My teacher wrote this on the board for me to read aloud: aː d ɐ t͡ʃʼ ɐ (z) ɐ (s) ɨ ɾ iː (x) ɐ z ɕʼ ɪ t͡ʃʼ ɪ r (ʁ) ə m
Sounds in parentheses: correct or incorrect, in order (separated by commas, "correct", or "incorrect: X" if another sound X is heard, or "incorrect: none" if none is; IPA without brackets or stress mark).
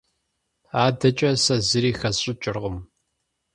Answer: incorrect: s, incorrect: z, correct, correct